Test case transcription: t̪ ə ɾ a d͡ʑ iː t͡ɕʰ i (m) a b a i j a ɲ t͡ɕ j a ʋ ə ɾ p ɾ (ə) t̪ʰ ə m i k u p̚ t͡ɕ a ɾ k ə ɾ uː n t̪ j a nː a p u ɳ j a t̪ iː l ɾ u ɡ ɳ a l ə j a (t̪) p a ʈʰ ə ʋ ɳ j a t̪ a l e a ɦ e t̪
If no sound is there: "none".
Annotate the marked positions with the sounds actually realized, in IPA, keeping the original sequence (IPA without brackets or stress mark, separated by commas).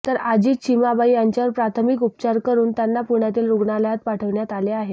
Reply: m, a, t̪